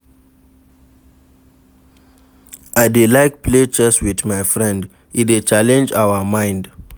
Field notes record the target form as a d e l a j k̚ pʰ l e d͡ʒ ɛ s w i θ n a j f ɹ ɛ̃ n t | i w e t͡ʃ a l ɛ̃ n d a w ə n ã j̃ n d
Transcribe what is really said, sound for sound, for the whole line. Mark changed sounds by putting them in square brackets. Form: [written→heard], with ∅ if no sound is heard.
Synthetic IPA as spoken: a d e l a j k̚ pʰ l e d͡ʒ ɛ s w i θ [n→m] a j f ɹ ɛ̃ n [t→d] | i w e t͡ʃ a l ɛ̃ n [d→d͡ʒ] a w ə [n→m] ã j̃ n d